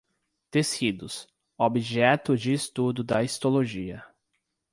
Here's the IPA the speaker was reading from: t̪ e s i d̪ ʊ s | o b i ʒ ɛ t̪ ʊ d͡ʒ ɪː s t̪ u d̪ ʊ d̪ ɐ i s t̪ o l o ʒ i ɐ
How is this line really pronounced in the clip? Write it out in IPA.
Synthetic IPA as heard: t̪ e s i d̪ ʊ s | o b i ʒ ɛ t̪ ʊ d͡ʒ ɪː s t̪ u d̪ ʊ d̪ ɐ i s t̪ o l o ʒ i ɐ